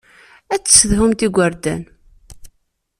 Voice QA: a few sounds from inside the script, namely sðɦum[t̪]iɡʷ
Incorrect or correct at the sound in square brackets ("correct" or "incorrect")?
correct